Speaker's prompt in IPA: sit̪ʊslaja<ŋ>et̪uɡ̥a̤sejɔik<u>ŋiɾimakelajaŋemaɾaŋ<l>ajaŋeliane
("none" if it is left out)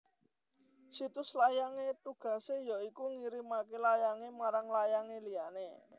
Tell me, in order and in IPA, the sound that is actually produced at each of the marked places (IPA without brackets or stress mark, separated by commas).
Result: ŋ, u, l